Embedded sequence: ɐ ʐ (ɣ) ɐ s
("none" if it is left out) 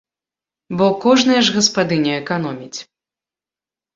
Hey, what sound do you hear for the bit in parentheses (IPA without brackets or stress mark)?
ɣ